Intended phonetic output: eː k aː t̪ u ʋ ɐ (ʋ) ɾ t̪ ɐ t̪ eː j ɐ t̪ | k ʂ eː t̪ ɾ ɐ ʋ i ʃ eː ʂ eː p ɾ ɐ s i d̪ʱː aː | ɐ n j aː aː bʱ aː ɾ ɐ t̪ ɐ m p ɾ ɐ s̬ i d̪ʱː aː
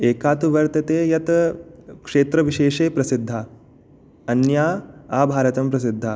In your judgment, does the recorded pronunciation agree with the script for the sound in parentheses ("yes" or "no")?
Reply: no